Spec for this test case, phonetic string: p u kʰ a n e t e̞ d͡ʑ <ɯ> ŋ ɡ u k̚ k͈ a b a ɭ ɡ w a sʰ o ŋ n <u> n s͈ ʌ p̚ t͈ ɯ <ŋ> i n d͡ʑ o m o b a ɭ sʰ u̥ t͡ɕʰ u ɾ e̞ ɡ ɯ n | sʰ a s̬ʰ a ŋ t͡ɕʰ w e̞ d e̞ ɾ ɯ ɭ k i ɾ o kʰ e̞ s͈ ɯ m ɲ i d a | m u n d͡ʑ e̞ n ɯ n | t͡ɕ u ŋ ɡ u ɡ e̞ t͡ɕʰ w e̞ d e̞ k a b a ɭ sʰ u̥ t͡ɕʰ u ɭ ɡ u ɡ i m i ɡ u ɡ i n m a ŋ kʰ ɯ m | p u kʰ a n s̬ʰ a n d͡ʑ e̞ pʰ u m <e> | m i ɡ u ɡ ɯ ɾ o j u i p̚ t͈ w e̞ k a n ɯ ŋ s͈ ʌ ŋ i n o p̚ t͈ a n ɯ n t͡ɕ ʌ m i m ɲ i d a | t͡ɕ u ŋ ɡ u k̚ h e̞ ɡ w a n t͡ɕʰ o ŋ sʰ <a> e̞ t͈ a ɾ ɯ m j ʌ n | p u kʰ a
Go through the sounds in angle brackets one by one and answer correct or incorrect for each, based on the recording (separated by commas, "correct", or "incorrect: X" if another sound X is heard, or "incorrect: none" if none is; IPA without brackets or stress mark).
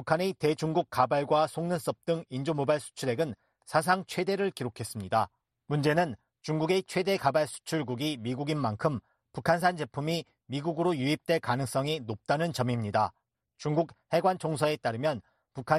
incorrect: u, incorrect: ɯ, correct, incorrect: i, incorrect: ʌ